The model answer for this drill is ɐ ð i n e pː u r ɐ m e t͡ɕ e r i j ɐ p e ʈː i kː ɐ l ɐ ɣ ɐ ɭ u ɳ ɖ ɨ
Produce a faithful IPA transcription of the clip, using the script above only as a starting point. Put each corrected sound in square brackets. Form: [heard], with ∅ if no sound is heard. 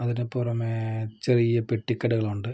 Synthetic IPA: ɐ ð i n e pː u r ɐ m e t͡ɕ e r i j ɐ p e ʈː i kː ɐ [ɽ] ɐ ɣ ɐ ɭ u ɳ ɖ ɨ